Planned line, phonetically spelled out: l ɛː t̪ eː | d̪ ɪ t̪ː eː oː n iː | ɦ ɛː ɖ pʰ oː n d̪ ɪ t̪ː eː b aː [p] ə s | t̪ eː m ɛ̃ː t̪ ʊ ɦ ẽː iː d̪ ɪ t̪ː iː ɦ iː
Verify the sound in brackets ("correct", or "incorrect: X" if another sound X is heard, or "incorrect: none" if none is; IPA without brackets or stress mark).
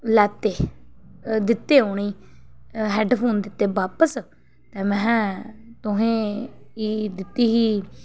correct